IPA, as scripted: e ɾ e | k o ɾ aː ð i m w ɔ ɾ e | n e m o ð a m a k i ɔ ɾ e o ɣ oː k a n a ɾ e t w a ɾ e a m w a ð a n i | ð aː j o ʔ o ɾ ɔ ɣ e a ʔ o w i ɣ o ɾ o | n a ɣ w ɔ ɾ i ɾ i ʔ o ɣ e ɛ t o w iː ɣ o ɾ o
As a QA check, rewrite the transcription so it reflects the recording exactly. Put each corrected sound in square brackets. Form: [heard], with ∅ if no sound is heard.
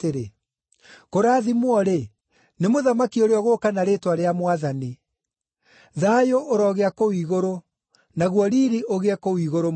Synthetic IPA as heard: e ɾ e | k o ɾ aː ð i m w ɔ ɾ e | n e m o ð a m a k i [o] ɾ e [ɔ] ɣ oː k a n a ɾ e t w a ɾ e a m w a ð a n i | ð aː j o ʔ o ɾ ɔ ɣ e a [k] o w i ɣ o ɾ o | n a ɣ w ɔ ɾ i ɾ i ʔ o ɣ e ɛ [k] o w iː ɣ o ɾ o